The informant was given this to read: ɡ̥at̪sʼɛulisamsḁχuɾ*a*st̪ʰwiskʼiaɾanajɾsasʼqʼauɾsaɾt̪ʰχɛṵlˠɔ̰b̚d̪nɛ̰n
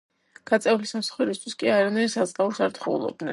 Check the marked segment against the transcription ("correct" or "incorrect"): incorrect